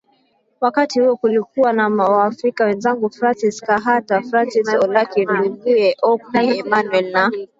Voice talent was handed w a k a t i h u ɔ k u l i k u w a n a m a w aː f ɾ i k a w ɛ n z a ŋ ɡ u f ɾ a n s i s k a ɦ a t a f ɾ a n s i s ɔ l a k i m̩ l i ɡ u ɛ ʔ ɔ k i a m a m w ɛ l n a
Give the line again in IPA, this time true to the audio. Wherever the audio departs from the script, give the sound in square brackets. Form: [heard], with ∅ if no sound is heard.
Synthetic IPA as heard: w a k a t i h u ɔ k u l i k u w a n a m a w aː f ɾ i k a w ɛ n z a ŋ ɡ u f ɾ a n s i s k a ɦ a t a f ɾ a n s i s ɔ l a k i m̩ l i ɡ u ɛ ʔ ɔ k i [ɛ] m a [n] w ɛ l n a